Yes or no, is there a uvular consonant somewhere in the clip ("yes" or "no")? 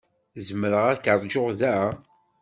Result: yes